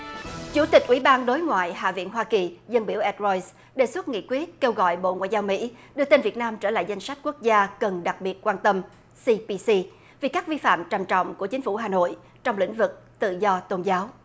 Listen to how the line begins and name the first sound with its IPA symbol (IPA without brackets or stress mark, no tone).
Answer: t͡ɕ